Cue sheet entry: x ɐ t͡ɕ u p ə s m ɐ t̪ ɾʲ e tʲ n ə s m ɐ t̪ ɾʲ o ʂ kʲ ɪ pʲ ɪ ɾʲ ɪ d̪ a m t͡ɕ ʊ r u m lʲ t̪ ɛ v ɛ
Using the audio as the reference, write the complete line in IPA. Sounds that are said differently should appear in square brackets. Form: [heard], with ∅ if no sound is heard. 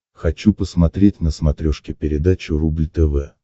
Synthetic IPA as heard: x ɐ t͡ɕ u p ə s m ɐ t̪ ɾʲ e tʲ n ə s m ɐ t̪ ɾʲ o ʂ kʲ ɪ pʲ ɪ ɾʲ ɪ d̪ a [∅] t͡ɕ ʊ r u [b] lʲ t̪ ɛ v ɛ